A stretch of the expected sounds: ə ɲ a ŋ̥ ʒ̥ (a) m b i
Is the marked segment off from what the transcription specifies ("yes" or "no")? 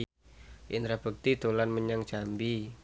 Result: no